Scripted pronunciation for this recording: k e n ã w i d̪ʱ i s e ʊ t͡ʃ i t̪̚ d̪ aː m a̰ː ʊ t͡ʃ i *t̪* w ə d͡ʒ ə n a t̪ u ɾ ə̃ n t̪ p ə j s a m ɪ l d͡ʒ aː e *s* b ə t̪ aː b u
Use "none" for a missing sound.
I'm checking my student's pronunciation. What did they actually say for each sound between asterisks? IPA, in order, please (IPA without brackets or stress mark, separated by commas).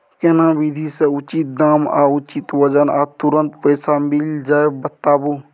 t̪, none